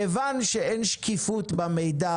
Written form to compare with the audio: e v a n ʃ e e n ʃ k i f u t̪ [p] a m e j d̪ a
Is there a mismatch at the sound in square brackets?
yes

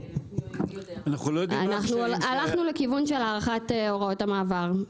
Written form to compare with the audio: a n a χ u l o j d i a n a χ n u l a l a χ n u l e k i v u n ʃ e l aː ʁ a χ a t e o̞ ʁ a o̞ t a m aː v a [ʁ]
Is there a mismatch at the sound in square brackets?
no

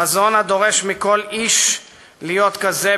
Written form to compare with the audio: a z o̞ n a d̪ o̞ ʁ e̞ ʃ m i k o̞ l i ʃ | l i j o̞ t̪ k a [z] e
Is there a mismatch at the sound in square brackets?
no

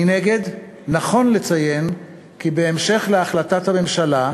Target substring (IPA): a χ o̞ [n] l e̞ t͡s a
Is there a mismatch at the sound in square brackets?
no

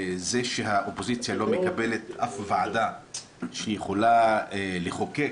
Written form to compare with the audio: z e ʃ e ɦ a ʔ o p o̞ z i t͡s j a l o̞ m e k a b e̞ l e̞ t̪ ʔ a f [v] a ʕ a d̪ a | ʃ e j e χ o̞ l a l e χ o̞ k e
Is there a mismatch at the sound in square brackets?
no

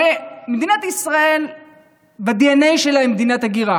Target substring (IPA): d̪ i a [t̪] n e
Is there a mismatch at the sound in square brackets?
yes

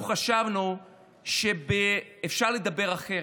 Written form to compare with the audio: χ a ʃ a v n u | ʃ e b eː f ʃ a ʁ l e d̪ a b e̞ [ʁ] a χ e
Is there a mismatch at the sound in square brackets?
no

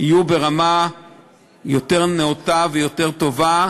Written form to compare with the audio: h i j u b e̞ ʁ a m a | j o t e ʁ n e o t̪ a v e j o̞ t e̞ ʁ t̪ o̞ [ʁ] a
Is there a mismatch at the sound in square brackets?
yes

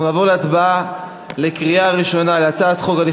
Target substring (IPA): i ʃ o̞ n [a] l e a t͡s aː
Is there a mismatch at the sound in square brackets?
no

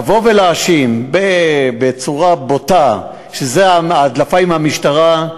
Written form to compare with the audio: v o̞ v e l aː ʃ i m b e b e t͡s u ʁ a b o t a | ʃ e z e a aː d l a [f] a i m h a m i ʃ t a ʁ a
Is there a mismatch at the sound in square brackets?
no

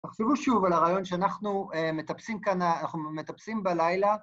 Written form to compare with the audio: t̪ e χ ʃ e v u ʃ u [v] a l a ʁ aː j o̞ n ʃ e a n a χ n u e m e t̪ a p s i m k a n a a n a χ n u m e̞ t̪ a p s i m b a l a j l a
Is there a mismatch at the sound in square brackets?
no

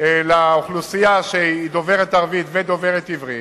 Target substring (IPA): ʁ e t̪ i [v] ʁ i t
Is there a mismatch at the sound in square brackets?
no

